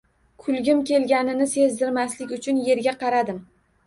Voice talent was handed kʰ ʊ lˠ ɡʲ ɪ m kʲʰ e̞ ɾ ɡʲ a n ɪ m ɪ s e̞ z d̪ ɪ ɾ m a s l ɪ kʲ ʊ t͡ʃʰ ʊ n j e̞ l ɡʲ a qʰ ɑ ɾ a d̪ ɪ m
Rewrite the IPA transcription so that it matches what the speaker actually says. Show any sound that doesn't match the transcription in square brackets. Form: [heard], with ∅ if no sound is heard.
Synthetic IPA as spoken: kʰ ʊ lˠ ɡʲ ɪ m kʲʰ e̞ [l] ɡʲ a n ɪ [n] ɪ s e̞ z d̪ ɪ ɾ m a s l ɪ kʲ ʊ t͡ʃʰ ʊ n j e̞ [ɾ] ɡʲ a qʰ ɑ ɾ a d̪ ɪ m